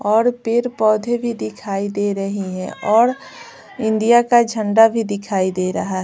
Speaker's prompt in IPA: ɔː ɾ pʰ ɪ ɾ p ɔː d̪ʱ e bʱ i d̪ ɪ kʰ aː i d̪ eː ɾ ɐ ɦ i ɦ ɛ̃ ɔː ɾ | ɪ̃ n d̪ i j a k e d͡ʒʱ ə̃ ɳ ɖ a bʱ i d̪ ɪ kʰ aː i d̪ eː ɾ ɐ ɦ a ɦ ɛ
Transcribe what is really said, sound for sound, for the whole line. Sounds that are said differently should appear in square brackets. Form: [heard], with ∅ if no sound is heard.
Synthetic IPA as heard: ɔː ɾ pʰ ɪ ɾ p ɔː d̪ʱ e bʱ i d̪ ɪ kʰ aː i d̪ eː ɾ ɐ ɦ i ɦ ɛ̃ ɔː ɾ | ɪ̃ n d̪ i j a k [a] d͡ʒʱ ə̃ ɳ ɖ a bʱ i d̪ ɪ kʰ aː i d̪ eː ɾ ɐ ɦ a ɦ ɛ